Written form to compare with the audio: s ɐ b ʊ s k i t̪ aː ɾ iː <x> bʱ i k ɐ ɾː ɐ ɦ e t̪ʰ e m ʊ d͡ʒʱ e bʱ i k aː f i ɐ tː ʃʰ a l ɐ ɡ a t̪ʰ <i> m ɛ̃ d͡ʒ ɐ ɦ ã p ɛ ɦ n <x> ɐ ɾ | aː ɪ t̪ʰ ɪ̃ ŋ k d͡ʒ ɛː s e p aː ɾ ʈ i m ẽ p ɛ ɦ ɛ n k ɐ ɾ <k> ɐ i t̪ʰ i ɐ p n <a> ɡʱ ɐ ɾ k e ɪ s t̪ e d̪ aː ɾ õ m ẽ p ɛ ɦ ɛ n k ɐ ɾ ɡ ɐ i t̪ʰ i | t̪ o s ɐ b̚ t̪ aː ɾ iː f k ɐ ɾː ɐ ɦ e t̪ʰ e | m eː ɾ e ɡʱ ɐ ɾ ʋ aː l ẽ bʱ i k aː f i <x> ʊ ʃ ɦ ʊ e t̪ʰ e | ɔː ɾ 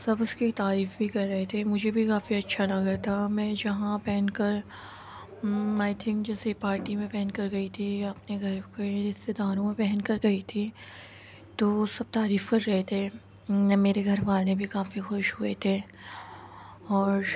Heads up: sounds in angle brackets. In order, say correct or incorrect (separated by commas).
incorrect, incorrect, incorrect, incorrect, incorrect, correct